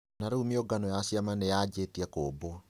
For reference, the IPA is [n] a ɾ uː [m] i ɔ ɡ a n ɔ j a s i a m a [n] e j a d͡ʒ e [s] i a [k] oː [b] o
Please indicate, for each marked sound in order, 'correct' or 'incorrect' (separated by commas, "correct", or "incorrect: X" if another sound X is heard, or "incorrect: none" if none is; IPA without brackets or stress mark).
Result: correct, correct, correct, incorrect: t, correct, correct